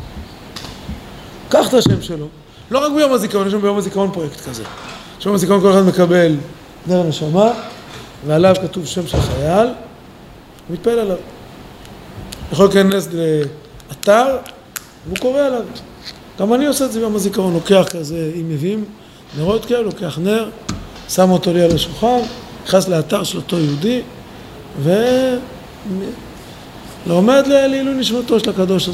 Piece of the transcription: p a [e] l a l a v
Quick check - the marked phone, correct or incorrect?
correct